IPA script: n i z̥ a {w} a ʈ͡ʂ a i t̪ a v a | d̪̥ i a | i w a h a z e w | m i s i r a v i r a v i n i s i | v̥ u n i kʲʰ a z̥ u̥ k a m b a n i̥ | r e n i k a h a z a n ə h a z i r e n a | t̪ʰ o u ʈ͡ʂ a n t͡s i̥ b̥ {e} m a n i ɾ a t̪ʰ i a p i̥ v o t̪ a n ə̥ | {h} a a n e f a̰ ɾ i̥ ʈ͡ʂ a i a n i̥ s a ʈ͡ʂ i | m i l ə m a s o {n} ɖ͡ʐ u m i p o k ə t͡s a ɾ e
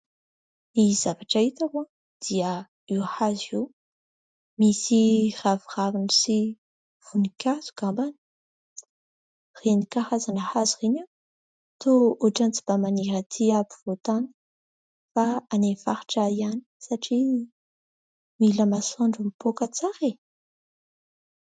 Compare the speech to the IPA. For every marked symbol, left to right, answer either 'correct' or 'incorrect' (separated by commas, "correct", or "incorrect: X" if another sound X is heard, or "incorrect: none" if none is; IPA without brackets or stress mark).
incorrect: v, incorrect: a, incorrect: f, incorrect: ɳ